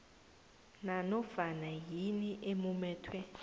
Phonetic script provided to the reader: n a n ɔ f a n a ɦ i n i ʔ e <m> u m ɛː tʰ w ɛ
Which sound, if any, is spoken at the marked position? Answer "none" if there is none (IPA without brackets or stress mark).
m